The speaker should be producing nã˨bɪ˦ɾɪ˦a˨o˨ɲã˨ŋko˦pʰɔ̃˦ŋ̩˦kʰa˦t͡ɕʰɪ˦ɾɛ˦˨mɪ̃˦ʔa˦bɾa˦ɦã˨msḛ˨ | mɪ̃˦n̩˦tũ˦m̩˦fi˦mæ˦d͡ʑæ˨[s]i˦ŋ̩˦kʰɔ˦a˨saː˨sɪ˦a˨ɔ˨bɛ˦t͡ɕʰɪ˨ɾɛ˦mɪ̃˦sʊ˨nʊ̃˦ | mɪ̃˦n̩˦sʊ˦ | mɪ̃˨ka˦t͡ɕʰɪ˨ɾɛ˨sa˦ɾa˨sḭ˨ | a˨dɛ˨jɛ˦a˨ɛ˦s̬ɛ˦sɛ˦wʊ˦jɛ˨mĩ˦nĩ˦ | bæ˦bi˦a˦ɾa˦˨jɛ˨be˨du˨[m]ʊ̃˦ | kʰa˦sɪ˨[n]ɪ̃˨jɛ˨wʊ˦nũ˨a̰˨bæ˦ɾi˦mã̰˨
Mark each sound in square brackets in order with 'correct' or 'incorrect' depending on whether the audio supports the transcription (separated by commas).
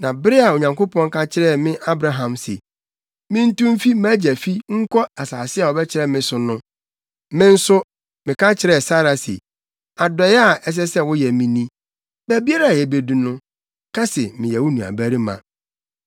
incorrect, incorrect, incorrect